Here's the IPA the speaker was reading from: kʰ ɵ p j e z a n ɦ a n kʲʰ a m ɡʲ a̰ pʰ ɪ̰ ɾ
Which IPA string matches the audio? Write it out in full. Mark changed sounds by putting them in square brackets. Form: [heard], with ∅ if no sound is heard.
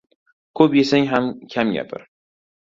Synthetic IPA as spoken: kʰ ɵ p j e [s] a [ŋ] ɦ a [m] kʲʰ a m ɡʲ a̰ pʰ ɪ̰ ɾ